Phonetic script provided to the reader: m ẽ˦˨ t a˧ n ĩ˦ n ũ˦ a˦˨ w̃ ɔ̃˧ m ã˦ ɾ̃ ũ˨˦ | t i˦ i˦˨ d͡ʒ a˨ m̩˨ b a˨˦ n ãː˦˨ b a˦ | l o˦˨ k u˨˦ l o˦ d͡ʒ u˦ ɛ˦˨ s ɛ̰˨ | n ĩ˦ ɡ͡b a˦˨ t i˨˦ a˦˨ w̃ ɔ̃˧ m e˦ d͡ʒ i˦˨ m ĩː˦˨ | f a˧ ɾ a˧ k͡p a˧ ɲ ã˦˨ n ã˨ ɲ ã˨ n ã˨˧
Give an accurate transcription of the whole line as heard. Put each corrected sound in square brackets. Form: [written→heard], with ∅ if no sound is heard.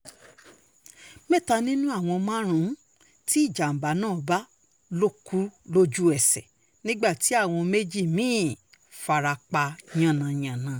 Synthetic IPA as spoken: m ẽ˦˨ t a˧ n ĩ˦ n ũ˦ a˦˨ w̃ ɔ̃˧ m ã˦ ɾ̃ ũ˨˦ | t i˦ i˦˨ d͡ʒ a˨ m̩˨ b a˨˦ n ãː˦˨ b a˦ | l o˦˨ k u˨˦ l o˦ d͡ʒ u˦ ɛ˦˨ s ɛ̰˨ | n ĩ˦ ɡ͡b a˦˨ t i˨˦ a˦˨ w̃ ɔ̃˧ m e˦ d͡ʒ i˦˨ m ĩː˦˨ | f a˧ ɾ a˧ k͡p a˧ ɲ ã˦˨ n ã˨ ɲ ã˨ n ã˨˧